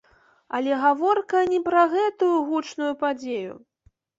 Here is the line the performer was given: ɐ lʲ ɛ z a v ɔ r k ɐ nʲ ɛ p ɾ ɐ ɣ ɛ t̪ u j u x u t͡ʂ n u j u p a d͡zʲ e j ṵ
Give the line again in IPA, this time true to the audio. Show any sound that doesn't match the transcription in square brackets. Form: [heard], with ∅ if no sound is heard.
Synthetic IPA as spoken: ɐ lʲ ɛ [ɣ] a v ɔ r k ɐ nʲ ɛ p ɾ ɐ ɣ ɛ t̪ u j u [ɣ] u t͡ʂ n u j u p a d͡zʲ e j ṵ